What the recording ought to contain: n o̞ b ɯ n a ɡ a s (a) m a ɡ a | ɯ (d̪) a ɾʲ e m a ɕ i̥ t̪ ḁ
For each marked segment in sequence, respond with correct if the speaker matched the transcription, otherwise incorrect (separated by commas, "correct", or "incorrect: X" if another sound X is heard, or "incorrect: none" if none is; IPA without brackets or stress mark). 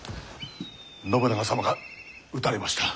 correct, incorrect: t̪